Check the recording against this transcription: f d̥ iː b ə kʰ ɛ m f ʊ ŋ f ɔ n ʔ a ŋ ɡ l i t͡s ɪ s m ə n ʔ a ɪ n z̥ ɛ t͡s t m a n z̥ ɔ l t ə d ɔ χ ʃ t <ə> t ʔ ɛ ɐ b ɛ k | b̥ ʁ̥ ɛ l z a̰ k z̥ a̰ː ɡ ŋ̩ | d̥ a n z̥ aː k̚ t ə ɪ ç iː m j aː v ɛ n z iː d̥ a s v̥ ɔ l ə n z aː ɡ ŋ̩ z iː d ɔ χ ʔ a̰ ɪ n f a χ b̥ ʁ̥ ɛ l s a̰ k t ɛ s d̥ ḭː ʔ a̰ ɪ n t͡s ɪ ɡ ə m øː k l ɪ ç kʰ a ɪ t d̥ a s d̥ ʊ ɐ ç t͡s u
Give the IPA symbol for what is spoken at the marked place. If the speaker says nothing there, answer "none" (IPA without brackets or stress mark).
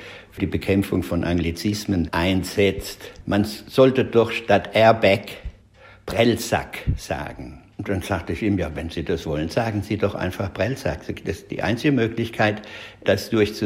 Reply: a